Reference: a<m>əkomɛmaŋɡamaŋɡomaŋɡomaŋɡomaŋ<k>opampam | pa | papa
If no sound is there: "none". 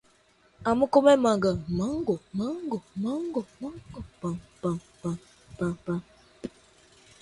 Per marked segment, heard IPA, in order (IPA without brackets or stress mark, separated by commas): m, ɡ